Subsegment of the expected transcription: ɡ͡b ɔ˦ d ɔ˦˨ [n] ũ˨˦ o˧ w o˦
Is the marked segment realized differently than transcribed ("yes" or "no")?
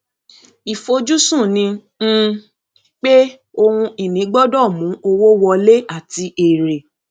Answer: yes